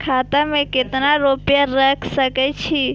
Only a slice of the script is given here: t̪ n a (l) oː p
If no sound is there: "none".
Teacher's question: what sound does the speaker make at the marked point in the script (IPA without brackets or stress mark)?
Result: ɾ